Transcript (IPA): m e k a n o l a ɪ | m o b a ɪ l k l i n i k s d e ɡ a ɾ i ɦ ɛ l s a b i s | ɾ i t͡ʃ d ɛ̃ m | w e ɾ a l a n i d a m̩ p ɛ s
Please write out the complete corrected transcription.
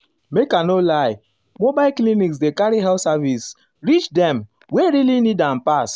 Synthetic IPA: m e k a n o l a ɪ | m o b a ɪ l k l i n i k s d e k a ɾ i ɦ ɛ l s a v i s | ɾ i t͡ʃ d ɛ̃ m | w e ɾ i l i n i d a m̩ p a s